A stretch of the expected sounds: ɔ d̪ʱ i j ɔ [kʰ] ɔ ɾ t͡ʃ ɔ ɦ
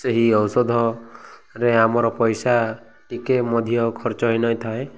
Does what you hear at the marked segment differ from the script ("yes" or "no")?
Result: no